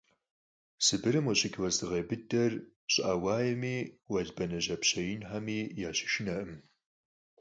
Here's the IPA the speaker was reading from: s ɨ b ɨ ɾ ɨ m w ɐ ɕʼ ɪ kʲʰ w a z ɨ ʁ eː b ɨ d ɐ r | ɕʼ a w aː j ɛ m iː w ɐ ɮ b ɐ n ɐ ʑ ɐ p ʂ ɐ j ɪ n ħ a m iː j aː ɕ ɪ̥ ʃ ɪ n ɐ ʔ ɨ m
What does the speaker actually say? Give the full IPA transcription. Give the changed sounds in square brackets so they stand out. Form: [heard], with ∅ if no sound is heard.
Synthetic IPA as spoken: s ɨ b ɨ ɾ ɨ m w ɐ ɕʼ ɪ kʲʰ w [ɐ] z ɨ ʁ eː b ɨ d ɐ r | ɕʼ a w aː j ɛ m iː w ɐ ɮ b ɐ n ɐ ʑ ɐ p [ɕ] ɐ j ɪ n ħ a m iː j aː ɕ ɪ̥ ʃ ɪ n ɐ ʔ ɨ m